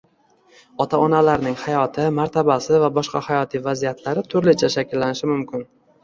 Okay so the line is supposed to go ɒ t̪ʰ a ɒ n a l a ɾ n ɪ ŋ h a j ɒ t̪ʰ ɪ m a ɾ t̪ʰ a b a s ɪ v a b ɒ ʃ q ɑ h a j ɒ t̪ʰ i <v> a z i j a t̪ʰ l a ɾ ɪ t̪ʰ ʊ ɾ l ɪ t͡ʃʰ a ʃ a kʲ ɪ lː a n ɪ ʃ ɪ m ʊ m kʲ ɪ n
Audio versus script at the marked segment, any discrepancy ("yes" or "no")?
no